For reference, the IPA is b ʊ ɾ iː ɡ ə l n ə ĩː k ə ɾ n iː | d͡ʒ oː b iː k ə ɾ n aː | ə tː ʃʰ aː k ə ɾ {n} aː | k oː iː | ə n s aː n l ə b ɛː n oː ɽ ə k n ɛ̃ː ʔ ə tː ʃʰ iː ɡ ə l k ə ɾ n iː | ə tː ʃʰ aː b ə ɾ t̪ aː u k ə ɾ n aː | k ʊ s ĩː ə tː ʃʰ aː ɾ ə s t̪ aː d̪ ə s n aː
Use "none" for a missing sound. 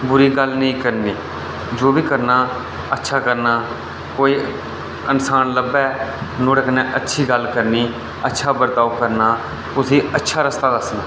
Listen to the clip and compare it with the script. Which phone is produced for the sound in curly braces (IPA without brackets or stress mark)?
n